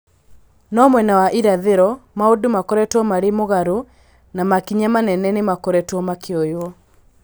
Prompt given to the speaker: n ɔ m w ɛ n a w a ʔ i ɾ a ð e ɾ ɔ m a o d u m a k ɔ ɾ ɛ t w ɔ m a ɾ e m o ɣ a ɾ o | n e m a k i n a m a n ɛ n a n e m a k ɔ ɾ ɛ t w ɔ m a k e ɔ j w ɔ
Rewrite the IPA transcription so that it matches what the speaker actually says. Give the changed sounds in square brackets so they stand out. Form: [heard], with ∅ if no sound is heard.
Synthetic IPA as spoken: n ɔ m w ɛ n a w a ʔ i ɾ a ð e ɾ ɔ m a o d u m a k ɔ ɾ ɛ t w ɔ m a ɾ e m o ɣ a ɾ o | n [a] m a k i [ɲ] a m a n ɛ n [ɛ] n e m a k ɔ ɾ ɛ t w ɔ m a k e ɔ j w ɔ